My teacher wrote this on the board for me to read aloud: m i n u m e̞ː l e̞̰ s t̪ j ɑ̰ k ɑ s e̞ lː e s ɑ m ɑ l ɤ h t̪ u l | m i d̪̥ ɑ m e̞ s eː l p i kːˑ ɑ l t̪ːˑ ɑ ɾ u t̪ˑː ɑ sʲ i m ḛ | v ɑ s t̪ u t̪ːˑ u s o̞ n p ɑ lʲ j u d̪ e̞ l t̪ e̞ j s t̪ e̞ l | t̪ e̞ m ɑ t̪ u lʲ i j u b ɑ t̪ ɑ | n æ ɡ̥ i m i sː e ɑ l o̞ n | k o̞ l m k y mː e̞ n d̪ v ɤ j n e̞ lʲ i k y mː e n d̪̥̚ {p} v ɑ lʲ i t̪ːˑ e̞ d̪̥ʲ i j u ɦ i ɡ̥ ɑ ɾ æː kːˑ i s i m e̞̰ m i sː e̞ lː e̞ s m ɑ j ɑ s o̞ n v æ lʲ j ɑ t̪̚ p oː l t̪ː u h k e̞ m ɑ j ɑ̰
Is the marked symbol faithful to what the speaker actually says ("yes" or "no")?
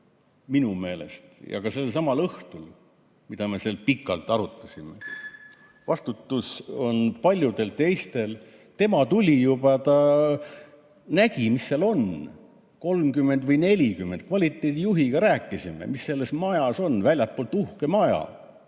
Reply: no